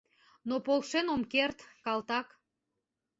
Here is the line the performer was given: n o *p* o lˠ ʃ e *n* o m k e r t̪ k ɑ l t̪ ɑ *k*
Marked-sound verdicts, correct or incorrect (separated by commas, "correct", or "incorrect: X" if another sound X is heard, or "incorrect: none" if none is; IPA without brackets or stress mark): correct, correct, correct